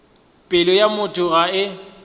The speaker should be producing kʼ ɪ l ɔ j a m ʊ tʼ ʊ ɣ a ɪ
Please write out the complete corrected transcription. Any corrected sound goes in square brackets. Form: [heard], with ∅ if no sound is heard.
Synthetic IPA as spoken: [pʼ] ɪ l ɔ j a m ʊ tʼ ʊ ɣ a ɪ